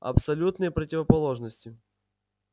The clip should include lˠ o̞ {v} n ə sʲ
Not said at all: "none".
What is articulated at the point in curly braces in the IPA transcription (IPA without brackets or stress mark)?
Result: ʐ